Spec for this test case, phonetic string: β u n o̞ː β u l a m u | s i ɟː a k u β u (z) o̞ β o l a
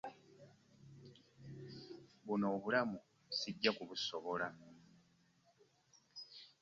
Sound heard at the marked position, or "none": s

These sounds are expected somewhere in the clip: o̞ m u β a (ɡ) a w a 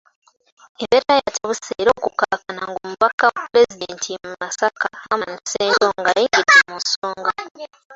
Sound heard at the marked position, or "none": k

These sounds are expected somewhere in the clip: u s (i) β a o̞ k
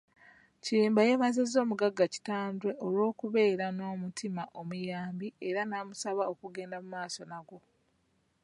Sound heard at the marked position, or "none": a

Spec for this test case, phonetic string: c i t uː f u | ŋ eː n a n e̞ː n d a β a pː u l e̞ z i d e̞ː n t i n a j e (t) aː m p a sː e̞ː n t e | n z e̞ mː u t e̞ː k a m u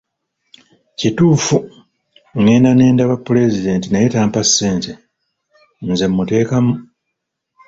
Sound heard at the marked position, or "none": t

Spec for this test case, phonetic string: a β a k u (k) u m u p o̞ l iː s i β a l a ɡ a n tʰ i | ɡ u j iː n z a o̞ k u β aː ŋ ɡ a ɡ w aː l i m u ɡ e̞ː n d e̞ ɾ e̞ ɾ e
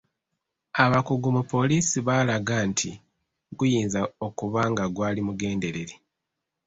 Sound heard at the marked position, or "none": ɡ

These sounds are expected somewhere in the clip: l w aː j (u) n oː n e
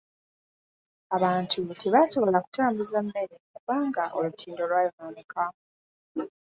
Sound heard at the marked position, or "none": o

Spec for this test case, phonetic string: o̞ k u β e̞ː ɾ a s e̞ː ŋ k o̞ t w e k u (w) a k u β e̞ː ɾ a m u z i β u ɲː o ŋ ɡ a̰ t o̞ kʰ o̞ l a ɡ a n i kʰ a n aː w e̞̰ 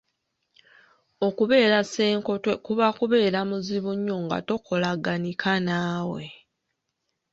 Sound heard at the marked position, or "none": β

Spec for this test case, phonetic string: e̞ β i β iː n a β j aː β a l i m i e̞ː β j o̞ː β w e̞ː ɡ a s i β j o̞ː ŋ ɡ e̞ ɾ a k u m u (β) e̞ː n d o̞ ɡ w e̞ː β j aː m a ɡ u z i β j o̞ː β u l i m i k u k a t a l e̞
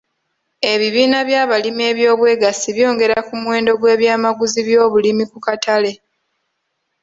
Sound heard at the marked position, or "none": w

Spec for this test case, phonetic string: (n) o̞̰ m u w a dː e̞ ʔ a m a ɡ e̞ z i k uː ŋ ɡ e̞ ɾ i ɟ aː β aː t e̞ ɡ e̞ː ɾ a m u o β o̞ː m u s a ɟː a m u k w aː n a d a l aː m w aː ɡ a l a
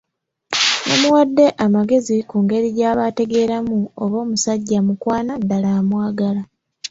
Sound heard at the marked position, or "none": n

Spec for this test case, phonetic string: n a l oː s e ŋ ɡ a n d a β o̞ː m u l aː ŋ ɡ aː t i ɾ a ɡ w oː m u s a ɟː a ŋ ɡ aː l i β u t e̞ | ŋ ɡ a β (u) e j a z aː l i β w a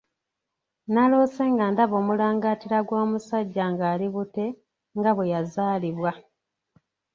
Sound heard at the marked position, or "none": w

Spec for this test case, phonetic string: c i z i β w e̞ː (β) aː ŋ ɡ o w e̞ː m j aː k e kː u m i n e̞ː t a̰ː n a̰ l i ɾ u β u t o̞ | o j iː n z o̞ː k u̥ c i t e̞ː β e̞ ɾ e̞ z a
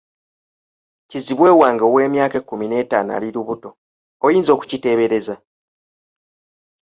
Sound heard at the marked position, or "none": w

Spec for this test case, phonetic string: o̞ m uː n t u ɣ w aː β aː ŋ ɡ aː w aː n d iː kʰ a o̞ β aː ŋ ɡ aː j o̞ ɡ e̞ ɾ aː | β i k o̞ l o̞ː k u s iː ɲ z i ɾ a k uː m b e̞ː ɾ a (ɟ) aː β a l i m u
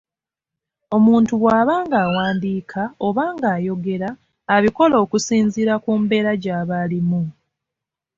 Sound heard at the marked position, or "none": ɟ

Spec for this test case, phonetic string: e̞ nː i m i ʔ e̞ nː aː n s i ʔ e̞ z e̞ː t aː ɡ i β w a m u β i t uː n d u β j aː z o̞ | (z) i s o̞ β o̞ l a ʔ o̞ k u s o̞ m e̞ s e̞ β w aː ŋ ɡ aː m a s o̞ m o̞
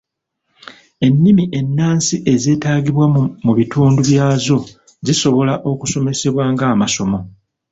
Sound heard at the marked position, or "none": z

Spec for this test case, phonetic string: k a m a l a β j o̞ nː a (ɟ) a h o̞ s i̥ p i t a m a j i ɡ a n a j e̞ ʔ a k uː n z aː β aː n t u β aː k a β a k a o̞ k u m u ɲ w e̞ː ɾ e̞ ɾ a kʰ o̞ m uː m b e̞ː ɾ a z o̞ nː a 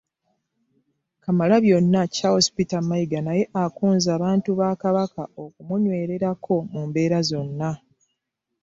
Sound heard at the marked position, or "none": c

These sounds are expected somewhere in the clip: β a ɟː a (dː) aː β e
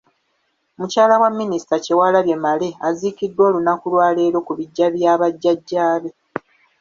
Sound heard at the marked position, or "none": ɟː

